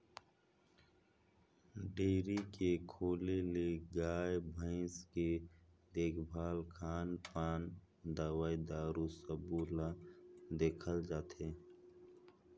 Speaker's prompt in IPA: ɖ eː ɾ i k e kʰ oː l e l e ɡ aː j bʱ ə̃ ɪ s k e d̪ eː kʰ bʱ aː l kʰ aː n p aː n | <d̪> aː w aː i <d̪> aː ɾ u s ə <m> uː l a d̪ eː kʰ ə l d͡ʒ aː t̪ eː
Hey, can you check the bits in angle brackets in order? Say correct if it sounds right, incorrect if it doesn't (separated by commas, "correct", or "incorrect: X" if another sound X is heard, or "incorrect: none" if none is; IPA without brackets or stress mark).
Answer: correct, correct, incorrect: b